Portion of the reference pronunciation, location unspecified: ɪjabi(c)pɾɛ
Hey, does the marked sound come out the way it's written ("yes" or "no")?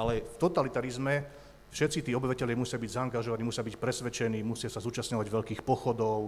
yes